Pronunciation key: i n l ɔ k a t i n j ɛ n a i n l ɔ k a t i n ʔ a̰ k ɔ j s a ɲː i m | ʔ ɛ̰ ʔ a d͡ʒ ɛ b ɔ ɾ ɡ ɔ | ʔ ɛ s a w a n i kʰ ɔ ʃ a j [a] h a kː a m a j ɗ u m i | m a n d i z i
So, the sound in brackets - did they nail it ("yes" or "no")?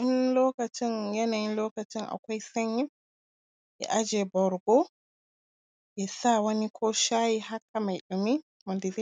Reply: no